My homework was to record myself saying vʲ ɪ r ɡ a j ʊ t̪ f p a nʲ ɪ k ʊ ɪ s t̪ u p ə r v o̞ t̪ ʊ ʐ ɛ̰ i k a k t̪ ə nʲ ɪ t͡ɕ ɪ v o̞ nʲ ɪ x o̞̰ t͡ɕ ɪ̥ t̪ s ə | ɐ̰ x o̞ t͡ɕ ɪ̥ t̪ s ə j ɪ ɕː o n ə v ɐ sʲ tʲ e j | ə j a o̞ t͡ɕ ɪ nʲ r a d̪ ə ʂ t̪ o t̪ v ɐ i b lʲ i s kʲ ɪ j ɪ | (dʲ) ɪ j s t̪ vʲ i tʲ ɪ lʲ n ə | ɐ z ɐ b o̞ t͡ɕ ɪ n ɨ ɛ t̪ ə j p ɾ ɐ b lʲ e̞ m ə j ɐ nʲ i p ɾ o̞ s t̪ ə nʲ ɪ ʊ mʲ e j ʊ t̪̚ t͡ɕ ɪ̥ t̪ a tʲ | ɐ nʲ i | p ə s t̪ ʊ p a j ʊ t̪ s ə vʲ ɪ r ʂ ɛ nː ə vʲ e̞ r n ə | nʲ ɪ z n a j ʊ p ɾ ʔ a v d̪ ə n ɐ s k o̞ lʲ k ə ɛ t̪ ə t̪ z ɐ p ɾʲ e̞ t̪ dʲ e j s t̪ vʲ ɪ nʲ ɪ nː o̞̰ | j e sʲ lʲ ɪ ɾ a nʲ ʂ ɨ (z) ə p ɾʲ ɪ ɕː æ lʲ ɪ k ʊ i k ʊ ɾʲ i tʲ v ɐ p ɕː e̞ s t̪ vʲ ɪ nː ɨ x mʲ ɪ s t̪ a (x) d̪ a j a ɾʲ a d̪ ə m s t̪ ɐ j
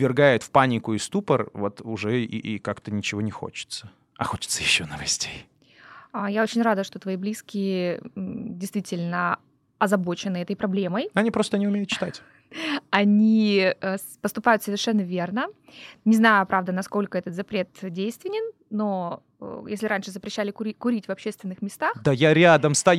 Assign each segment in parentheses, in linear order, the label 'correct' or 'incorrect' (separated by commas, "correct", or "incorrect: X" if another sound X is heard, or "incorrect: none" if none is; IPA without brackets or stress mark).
correct, correct, correct